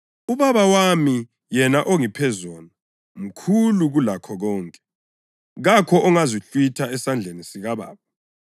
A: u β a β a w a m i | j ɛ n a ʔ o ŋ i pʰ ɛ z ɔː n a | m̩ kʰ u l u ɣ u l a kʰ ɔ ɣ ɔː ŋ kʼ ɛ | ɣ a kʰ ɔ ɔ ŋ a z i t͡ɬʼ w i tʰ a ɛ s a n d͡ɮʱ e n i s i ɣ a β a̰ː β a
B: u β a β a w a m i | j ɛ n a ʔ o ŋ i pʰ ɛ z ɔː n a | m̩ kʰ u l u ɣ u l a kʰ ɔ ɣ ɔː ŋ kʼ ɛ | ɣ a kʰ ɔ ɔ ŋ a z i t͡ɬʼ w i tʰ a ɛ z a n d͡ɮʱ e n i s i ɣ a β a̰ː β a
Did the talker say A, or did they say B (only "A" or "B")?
A